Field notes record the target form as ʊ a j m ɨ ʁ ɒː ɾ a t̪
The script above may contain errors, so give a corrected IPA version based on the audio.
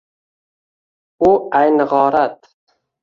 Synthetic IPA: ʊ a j n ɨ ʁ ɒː ɾ a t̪